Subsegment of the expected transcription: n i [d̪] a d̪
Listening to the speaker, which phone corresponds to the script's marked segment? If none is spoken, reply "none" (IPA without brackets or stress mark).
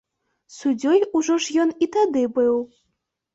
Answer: t̪